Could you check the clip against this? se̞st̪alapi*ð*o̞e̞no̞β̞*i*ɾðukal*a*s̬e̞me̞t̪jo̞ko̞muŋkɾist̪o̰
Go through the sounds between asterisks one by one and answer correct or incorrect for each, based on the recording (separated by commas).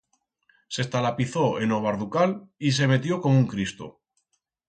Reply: incorrect, incorrect, incorrect